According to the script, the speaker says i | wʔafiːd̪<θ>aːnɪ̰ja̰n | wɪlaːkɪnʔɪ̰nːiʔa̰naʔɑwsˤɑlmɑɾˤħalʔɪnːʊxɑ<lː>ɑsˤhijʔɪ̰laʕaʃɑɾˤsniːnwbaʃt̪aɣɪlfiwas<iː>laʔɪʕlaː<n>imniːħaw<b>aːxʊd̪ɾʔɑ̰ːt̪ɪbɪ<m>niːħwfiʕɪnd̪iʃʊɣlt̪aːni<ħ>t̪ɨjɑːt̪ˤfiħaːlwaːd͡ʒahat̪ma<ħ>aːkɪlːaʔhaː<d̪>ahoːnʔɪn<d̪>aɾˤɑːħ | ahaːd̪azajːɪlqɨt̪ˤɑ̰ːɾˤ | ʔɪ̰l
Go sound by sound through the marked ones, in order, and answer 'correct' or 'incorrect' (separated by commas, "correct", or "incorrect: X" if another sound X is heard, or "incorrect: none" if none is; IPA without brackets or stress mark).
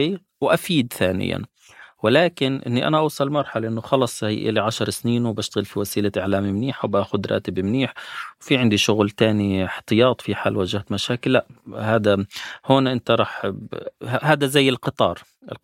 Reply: correct, incorrect: l, correct, incorrect: m, correct, correct, correct, incorrect: ʃ, correct, incorrect: t̪